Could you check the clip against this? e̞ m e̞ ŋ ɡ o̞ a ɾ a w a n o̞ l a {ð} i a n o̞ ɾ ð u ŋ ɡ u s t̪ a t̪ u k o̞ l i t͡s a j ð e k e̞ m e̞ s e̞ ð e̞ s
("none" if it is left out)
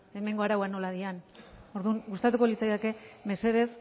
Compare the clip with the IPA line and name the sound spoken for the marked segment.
ð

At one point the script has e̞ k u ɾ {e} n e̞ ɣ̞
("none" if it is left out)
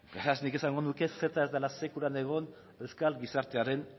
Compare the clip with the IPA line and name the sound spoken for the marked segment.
a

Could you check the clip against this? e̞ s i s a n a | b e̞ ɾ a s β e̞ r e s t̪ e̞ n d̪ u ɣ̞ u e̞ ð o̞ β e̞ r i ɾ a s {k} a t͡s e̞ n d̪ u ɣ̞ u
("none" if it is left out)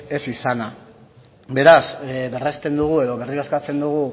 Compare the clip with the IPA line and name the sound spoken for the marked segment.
k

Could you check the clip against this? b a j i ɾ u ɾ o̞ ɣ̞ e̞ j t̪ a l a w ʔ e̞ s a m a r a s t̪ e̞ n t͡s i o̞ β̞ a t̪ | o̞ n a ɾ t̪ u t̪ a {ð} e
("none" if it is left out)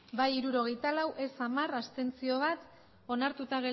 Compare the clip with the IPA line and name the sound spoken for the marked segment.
ɣ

